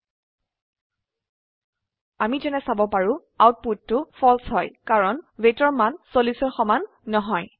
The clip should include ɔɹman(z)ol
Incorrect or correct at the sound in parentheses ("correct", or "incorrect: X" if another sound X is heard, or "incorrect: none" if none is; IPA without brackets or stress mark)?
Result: incorrect: s